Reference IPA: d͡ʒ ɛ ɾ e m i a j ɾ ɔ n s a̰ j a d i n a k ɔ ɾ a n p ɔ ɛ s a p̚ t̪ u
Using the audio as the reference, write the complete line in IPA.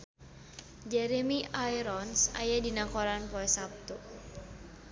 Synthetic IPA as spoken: d͡ʒ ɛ ɾ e m i a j ɾ ɔ n s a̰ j a d i n a k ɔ ɾ a n p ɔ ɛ s a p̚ t̪ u